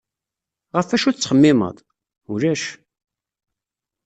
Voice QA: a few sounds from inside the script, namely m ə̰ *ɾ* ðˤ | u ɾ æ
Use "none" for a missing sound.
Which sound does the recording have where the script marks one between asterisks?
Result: none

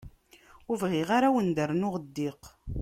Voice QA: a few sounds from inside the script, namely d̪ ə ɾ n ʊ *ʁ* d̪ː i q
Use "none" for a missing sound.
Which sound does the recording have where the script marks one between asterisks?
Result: ʁ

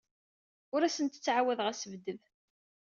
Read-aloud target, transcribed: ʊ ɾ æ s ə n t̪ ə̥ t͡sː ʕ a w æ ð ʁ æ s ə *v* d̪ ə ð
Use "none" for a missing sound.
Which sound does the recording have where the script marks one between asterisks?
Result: v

